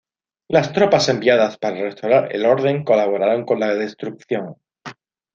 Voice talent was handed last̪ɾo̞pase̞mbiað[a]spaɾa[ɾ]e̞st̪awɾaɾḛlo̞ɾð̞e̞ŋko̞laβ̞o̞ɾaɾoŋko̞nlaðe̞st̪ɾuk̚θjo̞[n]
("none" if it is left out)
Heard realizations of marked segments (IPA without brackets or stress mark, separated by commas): a, r, ŋ